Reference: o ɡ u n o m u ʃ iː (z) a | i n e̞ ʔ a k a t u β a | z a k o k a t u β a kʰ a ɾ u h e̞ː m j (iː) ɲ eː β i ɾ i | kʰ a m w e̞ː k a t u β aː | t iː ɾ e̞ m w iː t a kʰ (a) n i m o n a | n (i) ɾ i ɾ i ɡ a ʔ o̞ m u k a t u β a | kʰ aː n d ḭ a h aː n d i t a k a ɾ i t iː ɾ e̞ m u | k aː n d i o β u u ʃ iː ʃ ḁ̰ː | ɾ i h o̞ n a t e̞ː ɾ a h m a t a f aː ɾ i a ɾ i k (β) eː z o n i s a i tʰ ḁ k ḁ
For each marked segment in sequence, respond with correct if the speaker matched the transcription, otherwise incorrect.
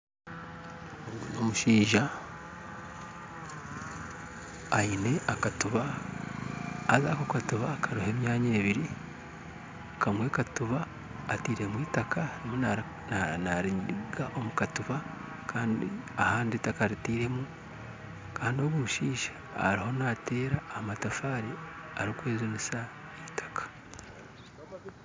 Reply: incorrect: ʒ, incorrect: aː, correct, incorrect: a, incorrect: w

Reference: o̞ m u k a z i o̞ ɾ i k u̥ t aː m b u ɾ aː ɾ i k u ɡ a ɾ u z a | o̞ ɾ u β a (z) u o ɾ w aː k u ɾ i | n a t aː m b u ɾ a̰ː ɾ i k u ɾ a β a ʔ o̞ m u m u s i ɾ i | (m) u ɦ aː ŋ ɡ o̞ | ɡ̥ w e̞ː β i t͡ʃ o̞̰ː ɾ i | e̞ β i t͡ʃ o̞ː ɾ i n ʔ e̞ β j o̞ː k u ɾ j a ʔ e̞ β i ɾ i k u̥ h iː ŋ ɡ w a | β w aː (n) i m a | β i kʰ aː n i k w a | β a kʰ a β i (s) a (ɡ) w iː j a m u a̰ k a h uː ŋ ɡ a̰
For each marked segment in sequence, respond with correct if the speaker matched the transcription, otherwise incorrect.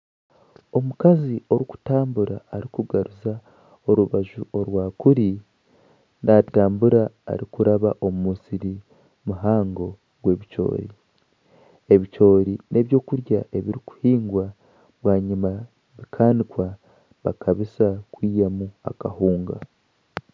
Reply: incorrect: ʒ, correct, incorrect: ɲ, correct, incorrect: k

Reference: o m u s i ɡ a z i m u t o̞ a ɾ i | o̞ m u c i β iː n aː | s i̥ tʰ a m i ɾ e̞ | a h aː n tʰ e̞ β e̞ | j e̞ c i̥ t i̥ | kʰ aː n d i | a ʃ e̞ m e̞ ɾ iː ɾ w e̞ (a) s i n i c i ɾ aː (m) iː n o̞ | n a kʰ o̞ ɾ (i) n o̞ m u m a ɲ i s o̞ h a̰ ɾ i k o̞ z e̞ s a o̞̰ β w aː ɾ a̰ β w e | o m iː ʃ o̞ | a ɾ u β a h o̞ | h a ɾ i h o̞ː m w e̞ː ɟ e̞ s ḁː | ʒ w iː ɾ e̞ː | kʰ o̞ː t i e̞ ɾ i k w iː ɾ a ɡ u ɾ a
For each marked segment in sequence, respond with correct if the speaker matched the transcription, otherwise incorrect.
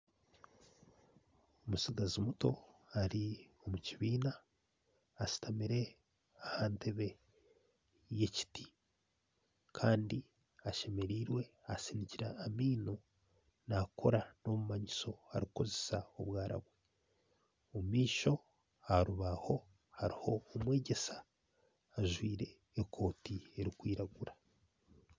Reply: correct, correct, incorrect: a

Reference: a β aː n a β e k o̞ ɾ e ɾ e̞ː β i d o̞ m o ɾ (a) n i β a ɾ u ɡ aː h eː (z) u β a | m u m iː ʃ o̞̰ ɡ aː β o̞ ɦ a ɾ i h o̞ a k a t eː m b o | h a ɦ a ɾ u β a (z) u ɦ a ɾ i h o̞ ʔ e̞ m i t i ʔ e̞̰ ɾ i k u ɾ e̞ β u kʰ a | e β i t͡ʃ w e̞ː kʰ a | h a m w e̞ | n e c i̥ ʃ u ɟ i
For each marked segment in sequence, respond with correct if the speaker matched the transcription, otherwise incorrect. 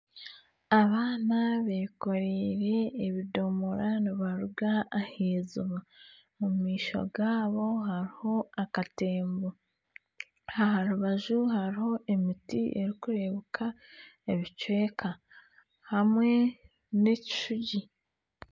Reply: correct, correct, incorrect: ʒ

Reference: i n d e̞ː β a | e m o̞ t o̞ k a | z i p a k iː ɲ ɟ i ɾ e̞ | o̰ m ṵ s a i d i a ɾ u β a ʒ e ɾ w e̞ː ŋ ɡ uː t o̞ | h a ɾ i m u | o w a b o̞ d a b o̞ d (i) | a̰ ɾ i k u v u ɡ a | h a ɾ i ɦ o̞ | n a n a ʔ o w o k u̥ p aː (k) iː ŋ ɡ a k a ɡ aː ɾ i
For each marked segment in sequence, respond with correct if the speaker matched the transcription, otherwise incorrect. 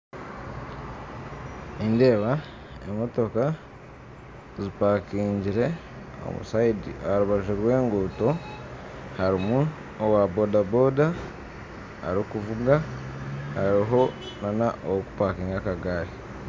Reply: incorrect: a, correct

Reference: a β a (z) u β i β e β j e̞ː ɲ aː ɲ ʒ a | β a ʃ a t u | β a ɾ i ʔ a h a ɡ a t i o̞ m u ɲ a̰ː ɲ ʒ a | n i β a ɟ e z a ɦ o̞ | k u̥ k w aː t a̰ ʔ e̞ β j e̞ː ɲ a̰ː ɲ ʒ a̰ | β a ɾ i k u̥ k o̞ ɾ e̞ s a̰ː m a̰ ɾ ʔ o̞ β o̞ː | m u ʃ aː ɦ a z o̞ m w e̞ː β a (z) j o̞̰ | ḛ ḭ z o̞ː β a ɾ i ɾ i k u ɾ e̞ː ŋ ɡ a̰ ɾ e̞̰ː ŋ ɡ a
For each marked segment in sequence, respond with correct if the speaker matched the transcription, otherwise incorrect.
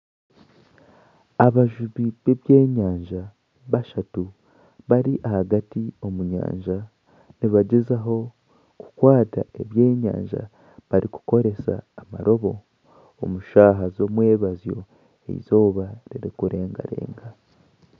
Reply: incorrect: ʒ, correct

